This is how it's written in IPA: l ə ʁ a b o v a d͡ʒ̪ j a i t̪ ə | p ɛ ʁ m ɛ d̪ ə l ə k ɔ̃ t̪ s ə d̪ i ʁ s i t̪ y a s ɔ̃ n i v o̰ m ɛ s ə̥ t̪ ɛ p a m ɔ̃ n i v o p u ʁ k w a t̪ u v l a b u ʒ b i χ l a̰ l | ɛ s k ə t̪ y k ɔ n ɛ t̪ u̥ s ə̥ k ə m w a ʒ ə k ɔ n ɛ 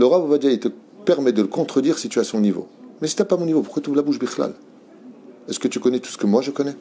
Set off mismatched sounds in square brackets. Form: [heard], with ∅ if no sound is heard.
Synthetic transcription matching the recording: l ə ʁ a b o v a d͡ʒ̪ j a i t̪ ə | p ɛ ʁ m ɛ d̪ ə l ə k ɔ̃ t̪ [χ] ə d̪ i ʁ s i t̪ y a s ɔ̃ n i v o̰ m ɛ s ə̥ t̪ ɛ p a m ɔ̃ n i v o p u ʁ k w a t̪ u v l a b u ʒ b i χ l a̰ l | ɛ s k ə t̪ y k ɔ n ɛ t̪ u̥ s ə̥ k ə m w a ʒ ə k ɔ n ɛ